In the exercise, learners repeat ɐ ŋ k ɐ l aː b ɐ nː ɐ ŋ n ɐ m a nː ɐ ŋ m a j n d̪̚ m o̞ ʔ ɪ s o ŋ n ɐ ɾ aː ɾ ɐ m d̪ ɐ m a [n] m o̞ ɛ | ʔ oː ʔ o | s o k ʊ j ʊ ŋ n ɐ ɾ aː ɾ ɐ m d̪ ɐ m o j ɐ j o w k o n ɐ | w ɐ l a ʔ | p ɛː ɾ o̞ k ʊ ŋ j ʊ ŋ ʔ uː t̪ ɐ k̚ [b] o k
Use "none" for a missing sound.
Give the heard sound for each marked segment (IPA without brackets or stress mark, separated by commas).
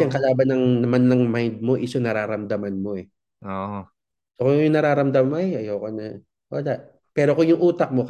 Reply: n, m